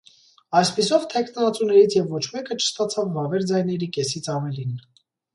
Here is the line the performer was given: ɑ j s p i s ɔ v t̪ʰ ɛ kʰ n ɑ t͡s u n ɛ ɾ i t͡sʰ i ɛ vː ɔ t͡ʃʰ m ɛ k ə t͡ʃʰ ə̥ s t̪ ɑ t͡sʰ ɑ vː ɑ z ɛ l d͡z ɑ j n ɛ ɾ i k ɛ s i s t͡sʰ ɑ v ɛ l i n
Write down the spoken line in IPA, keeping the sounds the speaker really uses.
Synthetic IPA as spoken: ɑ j s p i s ɔ v t̪ʰ ɛ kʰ n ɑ t͡s u n ɛ ɾ i t͡sʰ j ɛ vː ɔ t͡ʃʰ m ɛ k ə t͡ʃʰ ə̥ s t̪ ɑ t͡sʰ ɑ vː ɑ v ɛ ɾ d͡z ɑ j n ɛ ɾ i k ɛ s i t͡sʰ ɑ v ɛ l i n